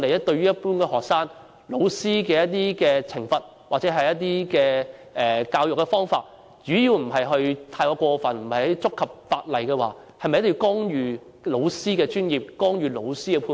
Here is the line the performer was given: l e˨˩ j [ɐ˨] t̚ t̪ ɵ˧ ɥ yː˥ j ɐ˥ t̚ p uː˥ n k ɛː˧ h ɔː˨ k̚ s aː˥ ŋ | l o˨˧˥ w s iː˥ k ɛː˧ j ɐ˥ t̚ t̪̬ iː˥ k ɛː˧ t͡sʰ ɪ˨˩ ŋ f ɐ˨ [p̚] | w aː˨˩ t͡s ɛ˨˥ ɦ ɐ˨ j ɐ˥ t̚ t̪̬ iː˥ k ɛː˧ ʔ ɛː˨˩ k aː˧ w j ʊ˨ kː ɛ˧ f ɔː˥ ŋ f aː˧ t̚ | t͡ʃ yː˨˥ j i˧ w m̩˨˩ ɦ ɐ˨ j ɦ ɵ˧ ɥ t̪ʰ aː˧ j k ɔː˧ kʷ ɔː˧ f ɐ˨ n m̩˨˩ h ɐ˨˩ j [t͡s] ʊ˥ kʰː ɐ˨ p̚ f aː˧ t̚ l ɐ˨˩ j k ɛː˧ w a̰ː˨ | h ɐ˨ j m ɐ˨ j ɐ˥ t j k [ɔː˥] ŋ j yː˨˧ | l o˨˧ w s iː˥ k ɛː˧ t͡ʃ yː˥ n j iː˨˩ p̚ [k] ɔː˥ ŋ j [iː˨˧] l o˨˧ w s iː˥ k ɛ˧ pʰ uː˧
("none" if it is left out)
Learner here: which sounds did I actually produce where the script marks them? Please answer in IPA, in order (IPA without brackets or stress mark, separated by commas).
ɐ˥, t̚, t͡s, ɔː˥, k, yː˨˧